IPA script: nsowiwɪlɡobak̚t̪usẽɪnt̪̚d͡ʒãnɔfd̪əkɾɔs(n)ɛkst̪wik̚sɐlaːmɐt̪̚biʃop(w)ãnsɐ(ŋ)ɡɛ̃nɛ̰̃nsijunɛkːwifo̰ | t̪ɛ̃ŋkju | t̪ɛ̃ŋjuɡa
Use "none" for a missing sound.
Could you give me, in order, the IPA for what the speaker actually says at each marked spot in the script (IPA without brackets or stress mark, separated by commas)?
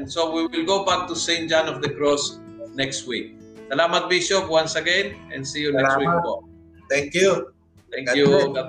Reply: n, w, none